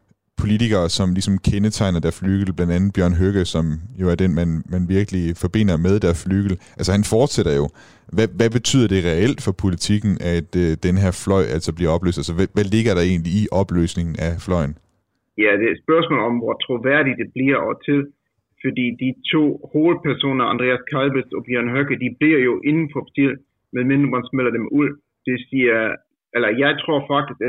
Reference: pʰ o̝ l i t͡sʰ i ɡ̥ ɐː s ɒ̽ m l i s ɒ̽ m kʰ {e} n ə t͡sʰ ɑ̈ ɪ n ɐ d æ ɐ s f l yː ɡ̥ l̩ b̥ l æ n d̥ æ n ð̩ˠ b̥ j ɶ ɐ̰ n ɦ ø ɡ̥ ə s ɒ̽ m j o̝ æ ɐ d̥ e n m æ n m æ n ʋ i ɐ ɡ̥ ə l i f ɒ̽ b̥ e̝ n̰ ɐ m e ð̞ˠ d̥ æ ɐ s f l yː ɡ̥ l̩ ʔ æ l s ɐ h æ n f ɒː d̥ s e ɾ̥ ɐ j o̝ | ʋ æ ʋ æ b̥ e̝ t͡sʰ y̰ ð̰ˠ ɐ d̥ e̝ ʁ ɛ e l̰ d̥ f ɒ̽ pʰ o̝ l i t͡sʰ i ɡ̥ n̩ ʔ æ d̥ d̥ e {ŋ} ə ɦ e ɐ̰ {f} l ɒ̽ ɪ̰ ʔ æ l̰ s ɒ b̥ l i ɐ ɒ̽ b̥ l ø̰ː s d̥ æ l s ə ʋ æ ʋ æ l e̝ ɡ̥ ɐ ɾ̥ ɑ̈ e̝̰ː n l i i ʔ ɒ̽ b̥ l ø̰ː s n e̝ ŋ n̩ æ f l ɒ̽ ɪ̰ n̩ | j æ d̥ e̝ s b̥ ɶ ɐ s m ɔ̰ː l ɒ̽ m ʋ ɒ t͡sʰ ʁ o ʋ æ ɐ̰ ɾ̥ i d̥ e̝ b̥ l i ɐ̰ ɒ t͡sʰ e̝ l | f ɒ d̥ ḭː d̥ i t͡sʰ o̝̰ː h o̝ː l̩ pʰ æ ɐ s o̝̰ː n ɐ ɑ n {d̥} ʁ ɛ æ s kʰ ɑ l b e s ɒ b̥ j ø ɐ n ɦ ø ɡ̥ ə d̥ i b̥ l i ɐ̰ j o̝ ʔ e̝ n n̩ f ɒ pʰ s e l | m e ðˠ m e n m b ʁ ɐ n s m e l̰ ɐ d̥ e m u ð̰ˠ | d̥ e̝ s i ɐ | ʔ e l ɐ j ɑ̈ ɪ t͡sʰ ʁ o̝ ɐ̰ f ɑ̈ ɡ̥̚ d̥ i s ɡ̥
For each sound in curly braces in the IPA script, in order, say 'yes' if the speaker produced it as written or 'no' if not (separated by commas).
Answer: yes, no, yes, yes